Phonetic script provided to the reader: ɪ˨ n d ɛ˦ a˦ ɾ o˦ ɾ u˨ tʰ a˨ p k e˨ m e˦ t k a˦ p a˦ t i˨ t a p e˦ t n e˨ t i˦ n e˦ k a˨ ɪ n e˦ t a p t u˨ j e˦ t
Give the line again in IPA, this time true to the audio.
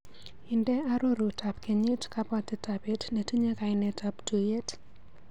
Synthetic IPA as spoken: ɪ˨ n d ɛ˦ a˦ ɾ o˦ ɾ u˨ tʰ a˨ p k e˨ ɲ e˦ t k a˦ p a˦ t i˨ t a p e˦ t n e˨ t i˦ ɲ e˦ k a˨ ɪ n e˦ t a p t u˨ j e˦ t

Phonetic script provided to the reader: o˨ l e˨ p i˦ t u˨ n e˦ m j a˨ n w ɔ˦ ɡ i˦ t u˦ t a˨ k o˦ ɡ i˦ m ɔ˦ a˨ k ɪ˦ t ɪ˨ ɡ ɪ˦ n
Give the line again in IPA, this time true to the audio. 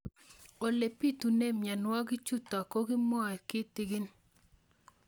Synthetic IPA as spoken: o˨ l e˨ p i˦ t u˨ n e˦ m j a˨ n w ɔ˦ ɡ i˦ t͡ʃ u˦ t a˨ k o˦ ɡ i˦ m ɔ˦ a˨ k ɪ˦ t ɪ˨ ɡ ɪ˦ n

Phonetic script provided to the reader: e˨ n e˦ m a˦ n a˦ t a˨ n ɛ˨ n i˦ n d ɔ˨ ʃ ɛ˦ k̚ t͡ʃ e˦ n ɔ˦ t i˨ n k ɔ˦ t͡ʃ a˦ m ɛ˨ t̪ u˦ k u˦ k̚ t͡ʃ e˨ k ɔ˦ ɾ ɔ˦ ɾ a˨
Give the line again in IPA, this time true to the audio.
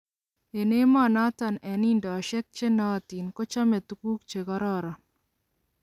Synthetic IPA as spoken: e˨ n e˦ m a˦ n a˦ t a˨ n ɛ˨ n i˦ n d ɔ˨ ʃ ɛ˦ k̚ t͡ʃ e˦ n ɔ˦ t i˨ n k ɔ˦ t͡ʃ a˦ m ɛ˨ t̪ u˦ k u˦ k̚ t͡ʃ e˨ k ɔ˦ ɾ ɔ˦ ɾ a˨

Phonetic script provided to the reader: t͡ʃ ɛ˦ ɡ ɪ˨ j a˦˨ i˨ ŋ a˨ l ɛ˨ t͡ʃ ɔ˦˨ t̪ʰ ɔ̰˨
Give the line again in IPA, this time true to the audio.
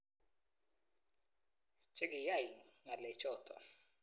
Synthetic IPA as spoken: t͡ʃ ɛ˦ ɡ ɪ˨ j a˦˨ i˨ ŋ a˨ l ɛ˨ t͡ʃ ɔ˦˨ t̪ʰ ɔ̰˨

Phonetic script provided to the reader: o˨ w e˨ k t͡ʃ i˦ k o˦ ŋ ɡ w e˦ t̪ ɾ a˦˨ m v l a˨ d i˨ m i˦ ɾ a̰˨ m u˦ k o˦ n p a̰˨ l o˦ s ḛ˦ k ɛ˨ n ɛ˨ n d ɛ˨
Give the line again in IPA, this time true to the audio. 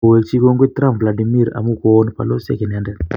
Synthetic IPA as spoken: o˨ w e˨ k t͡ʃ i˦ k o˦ ŋ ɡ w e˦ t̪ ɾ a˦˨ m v l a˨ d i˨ m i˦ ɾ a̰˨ m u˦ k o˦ n p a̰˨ l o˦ s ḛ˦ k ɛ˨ n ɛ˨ n d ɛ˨

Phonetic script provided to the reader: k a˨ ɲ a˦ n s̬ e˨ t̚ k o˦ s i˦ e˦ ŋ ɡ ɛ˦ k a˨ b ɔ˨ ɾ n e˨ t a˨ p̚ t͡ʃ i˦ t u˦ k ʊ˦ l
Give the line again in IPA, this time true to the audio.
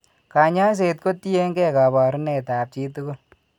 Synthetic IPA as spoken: k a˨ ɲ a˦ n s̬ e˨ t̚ k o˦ t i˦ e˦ ŋ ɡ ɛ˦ k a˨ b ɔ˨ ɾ n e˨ t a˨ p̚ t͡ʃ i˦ t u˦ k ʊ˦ l

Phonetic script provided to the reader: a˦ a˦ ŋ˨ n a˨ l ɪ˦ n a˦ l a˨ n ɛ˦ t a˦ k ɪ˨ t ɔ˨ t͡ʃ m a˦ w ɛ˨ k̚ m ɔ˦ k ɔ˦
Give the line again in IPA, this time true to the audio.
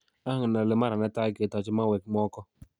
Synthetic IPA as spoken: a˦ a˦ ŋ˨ n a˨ l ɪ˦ m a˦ ɾ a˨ n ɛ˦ t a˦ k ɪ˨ t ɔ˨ t͡ʃ m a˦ w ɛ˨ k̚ m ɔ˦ k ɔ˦

